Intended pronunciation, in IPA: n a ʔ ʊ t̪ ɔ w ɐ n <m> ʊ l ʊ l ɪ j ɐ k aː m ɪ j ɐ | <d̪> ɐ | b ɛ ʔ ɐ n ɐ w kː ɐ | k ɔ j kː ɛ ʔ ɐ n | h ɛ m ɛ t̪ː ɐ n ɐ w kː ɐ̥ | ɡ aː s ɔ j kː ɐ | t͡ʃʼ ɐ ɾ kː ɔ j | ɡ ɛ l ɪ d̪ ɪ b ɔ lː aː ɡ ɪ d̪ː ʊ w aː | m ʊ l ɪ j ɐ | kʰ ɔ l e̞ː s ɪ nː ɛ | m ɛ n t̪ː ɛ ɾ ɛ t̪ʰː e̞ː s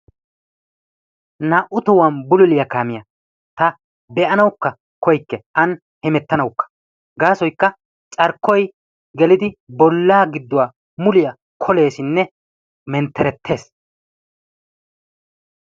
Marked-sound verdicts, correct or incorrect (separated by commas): incorrect, incorrect